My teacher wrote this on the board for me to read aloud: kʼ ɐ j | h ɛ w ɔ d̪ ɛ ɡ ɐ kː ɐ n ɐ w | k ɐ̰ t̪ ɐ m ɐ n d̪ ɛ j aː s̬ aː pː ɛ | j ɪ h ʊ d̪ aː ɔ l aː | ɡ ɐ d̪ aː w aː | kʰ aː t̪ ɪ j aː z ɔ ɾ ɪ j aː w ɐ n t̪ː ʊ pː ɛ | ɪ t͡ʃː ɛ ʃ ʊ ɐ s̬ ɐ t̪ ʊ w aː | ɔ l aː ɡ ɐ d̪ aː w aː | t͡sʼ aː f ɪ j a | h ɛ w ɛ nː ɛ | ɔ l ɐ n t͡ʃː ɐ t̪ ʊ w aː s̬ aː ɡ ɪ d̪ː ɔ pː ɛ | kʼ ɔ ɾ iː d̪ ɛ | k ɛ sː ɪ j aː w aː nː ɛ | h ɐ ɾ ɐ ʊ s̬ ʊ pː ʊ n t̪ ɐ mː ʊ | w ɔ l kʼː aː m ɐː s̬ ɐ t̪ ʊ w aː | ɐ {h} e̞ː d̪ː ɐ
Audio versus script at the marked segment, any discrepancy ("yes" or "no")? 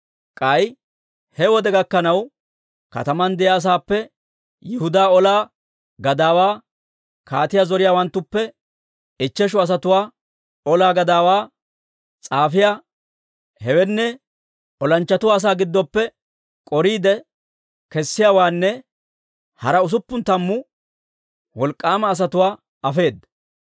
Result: yes